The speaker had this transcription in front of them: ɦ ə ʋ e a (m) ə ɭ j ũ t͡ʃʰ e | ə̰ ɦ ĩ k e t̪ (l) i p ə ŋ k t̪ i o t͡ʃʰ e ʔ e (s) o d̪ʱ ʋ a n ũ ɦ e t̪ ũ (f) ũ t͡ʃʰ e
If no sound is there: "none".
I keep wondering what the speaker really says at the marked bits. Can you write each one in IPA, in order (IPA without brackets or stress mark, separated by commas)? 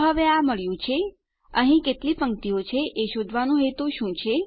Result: m, l, ʃ, ʃ